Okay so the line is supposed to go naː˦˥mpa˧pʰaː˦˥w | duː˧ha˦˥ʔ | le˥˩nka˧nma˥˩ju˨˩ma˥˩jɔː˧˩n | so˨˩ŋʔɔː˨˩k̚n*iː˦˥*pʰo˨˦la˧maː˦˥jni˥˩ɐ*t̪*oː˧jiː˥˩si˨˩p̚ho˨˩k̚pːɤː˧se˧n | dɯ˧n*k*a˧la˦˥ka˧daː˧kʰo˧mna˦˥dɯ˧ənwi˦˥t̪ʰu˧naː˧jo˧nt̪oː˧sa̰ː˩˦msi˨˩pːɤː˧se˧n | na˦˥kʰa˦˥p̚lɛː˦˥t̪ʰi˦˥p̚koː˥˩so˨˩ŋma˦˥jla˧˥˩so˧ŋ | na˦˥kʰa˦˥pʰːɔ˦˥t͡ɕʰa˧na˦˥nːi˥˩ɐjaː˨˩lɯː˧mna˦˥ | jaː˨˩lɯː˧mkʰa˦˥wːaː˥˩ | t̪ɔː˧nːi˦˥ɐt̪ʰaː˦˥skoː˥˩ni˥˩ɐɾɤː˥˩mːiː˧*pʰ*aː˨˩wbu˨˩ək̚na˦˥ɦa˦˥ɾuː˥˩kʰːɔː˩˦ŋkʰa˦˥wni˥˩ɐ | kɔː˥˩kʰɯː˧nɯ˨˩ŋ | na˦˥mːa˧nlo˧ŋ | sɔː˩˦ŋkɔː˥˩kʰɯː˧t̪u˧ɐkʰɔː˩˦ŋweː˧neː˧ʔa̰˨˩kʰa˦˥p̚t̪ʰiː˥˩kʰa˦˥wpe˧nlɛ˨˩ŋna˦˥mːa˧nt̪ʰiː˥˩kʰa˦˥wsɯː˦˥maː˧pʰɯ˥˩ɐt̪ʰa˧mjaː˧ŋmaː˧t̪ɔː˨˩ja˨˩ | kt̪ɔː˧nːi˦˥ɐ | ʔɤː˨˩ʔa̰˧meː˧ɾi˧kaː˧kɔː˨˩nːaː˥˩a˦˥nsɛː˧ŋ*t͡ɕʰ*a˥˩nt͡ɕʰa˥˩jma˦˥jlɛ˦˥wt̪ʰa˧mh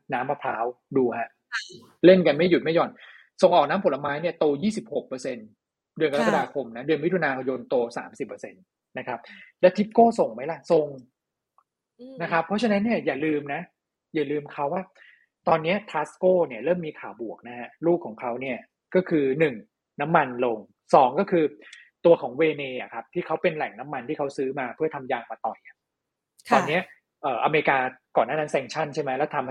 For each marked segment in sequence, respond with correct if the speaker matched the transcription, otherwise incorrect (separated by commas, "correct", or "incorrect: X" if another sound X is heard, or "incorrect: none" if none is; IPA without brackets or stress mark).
incorrect: aː˦˥, correct, correct, incorrect: kʰ, correct